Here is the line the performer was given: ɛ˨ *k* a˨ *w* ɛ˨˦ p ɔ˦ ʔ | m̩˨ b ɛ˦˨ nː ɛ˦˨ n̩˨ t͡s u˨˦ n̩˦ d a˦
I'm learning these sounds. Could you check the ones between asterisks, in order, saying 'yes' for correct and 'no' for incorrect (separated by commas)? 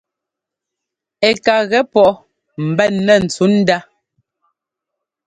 yes, no